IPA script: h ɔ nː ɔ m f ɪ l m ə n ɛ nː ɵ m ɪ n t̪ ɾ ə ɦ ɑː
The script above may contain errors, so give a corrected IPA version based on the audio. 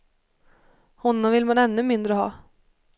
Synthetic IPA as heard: h ɔ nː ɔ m v ɪ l m a n ɛ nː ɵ m ɪ n d̪ ɾ ə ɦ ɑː